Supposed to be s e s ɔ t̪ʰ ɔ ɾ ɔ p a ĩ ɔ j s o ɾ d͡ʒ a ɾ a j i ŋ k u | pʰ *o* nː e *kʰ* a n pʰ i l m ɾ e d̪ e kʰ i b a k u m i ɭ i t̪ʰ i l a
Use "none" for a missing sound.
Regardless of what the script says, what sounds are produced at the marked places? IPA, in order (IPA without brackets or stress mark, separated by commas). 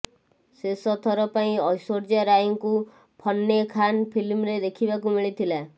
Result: ɔ, kʰ